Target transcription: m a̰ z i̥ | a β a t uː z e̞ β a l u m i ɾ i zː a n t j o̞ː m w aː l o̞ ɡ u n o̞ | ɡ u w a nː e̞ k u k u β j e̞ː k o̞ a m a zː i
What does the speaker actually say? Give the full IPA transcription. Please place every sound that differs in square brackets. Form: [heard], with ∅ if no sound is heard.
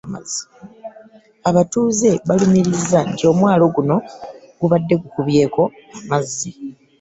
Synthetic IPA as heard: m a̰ z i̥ | a β a t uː z e̞ β a l u m i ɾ i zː a n t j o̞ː m w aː l o̞ ɡ u n o̞ | ɡ u [β] a [dː] e̞ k u k u β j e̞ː k o̞ a m a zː i

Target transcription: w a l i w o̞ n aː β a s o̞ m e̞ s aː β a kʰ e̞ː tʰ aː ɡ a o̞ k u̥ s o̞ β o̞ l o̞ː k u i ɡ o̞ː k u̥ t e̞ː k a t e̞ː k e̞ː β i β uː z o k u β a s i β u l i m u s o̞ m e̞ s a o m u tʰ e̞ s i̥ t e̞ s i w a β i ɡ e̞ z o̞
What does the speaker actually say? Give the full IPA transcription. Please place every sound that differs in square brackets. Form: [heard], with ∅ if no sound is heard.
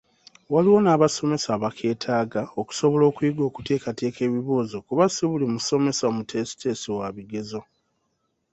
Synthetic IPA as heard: w a l i w o̞ n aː β a s o̞ m e̞ s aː β a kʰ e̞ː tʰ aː ɡ a o̞ k u̥ s o̞ β o̞ l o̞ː k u i ɡ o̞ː k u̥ t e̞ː k a t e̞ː k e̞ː β i β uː z o k u β a s i β u l i m u s o̞ m e̞ s a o m u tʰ e̞ s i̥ t e̞ s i w a β i ɡ e̞ z o̞

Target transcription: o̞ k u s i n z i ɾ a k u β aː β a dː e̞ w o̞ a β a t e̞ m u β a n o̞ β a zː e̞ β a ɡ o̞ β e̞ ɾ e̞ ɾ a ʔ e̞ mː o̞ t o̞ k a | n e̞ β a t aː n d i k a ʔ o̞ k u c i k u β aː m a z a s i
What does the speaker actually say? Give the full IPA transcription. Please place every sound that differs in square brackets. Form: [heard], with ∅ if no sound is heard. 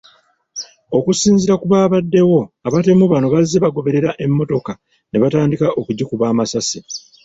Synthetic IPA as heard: o̞ k u s [iː] n z i ɾ a k u β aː β a dː e̞ w o̞ a β a t e̞ m u β a n o̞ β a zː e̞ β a ɡ o̞ β e̞ ɾ e̞ ɾ a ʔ e̞ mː o̞ t o̞ k a | n e̞ β a t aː n d i k a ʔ o̞ k u [ɟ] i k u β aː m a [s] a s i

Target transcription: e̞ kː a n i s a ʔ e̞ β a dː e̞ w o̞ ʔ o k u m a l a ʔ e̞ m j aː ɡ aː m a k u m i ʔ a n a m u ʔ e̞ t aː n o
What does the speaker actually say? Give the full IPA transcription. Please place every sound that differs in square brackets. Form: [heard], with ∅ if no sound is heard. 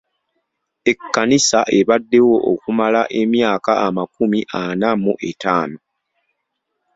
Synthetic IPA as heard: e̞ kː a n i s a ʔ e̞ β a dː e̞ w o̞ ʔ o k u m a l a ʔ e̞ m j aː [k] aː m a k u m i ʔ a n a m u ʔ e̞ t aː n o

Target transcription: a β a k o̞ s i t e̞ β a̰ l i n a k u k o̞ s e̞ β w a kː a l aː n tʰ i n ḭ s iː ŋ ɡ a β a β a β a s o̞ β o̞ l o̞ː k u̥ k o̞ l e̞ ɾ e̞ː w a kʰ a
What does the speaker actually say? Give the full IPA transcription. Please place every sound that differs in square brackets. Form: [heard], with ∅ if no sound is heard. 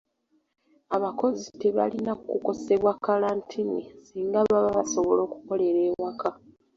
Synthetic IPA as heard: a β a k o̞ [z] i t e̞ β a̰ l i n a k u k o̞ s e̞ β w a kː a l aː n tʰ i n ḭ s iː ŋ ɡ a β a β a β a s o̞ β o̞ l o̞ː k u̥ k o̞ l e̞ ɾ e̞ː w a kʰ a

